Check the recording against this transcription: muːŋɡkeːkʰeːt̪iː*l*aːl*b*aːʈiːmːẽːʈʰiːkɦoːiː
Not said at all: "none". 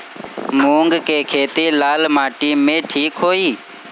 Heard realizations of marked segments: l, m

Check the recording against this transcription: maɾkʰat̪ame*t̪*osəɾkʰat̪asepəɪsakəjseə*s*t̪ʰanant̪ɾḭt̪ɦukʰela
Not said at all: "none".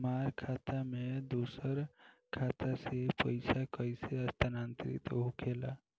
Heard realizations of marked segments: d̪, s

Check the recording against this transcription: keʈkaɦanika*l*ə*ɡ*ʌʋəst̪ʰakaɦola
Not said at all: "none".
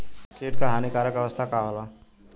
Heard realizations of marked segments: ɾ, k

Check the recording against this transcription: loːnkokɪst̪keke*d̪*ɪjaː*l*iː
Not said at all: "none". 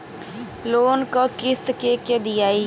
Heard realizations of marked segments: d̪, none

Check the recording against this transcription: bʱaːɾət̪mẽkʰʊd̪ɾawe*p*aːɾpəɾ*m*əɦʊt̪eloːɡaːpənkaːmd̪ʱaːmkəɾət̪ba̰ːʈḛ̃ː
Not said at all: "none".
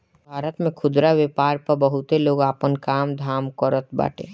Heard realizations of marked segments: p, b

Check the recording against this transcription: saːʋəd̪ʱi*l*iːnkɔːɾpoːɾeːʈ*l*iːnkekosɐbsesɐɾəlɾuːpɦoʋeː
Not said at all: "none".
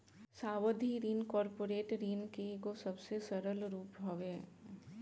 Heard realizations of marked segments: ɾ, ɾ

